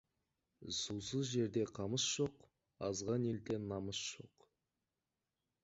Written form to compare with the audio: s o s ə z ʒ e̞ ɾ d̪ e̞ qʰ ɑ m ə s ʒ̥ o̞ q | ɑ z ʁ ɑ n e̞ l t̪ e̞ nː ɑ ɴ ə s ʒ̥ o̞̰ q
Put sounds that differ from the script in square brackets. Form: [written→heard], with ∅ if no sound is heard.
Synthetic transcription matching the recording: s [o→u] s ə z ʒ e̞ ɾ d̪ e̞ qʰ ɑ m ə s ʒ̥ o̞ q | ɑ z ʁ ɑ n e̞ l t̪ e̞ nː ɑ [ɴ→m] ə s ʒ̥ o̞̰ q